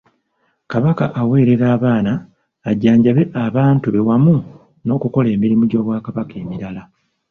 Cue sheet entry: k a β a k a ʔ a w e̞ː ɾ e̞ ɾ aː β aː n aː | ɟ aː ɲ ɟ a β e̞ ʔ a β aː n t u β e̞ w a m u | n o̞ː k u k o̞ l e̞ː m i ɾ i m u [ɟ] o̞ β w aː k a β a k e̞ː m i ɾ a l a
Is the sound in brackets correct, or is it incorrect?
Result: correct